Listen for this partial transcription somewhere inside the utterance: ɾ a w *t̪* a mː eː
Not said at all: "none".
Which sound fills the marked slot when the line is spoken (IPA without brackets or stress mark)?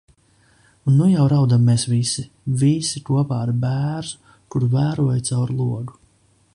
d̪